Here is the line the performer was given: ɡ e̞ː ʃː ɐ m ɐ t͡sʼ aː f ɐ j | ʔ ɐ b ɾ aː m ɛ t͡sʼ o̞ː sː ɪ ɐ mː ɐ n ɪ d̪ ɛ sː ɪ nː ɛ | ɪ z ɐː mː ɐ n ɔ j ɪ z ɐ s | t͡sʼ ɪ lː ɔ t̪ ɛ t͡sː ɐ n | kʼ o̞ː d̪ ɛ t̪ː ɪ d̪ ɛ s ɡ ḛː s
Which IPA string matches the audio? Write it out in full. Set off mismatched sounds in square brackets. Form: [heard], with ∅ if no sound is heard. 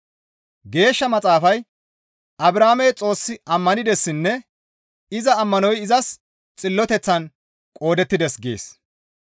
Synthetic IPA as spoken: ɡ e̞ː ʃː ɐ m ɐ t͡sʼ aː f ɐ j | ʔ ɐ b ɾ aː m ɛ t͡sʼ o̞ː sː ɪ ɐ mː ɐ n ɪ d̪ ɛ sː ɪ nː ɛ | ɪ z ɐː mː ɐ n ɔ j ɪ z ɐ s | t͡sʼ ɪ lː ɔ t̪ ɛ t͡sː ɐ n | kʼ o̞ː d̪ ɛ t̪ː ɪ d̪ ɛ s ɡ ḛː s